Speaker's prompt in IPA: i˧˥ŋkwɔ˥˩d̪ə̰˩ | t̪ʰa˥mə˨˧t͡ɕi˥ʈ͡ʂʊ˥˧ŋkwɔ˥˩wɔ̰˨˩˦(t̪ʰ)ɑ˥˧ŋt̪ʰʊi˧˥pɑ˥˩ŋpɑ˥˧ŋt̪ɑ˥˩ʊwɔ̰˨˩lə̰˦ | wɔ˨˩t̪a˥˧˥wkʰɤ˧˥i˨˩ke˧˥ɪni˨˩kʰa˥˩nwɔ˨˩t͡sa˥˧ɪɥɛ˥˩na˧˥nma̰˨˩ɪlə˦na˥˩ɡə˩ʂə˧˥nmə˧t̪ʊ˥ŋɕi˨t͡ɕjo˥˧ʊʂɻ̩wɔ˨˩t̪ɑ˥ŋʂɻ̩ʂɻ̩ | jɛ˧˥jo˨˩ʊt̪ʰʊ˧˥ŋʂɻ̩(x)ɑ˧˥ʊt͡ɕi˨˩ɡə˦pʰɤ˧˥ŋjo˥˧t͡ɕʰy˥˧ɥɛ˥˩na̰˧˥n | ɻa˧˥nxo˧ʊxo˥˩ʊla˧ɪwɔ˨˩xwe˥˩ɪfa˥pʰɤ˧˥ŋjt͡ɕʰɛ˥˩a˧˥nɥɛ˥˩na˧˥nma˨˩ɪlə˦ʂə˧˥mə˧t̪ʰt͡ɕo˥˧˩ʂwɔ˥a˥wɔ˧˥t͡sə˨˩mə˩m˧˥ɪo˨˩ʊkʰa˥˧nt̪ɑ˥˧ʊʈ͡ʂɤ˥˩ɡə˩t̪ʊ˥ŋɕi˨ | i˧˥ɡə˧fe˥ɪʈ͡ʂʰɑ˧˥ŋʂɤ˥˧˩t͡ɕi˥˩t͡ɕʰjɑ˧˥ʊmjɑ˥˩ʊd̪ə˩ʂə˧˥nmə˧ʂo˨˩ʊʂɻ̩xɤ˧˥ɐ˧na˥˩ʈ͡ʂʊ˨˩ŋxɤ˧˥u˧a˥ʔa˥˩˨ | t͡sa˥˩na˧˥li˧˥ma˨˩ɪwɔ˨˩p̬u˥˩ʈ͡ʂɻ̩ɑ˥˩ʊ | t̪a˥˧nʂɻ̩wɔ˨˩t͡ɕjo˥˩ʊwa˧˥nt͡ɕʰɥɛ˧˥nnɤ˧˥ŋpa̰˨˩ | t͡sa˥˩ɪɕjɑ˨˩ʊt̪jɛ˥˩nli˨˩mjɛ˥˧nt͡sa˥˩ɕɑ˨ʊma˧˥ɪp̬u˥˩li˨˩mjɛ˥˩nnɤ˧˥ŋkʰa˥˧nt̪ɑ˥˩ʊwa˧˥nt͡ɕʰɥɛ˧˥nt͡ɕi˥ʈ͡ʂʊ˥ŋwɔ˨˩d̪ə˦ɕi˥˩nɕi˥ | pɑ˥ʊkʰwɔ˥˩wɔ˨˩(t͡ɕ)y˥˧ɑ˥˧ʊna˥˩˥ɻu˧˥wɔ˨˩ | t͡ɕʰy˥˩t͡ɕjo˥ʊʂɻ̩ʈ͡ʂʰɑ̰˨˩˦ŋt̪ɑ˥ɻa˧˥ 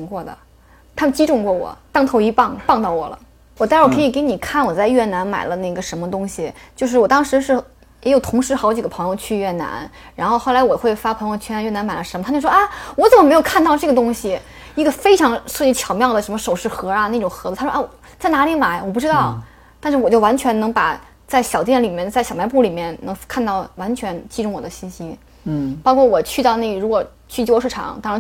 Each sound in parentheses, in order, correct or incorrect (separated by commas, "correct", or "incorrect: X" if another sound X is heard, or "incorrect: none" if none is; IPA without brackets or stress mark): incorrect: t̪, correct, incorrect: t͡ɕʰ